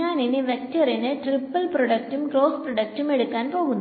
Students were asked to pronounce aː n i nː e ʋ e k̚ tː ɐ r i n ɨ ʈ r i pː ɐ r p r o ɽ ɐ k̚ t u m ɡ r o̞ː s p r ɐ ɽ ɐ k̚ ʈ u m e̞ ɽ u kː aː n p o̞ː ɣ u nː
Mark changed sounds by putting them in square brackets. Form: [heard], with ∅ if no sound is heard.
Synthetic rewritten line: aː n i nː [i] ʋ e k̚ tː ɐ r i n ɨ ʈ r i pː ɐ [l] p r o ɽ ɐ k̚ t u m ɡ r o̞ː s p r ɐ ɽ ɐ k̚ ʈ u m e̞ ɽ u kː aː n p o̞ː ɣ u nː